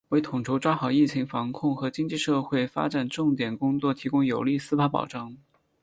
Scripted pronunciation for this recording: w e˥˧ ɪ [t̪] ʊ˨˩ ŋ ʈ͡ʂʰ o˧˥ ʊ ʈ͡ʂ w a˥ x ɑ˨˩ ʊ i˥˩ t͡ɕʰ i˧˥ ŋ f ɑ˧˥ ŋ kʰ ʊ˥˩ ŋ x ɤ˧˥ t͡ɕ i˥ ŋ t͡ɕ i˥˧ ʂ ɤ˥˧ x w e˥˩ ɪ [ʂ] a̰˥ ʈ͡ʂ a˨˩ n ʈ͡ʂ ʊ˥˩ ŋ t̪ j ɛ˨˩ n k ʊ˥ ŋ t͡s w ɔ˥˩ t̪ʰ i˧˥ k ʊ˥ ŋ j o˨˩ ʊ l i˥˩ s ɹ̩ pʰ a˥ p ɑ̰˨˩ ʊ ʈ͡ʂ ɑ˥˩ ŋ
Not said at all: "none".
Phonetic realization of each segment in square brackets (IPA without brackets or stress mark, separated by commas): t̪ʰ, f